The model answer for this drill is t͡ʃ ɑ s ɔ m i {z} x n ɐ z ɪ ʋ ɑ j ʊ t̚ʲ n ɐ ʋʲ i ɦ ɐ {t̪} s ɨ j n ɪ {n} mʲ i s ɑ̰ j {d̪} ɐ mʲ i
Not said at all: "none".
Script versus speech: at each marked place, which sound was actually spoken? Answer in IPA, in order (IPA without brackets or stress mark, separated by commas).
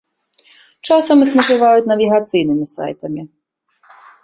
none, t̪, none, t̪